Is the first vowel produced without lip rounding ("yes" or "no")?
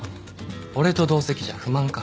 no